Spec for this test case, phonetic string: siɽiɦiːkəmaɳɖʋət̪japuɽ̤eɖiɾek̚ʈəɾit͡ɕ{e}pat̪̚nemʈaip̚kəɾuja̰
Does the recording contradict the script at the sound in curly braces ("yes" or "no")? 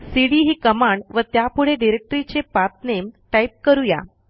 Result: no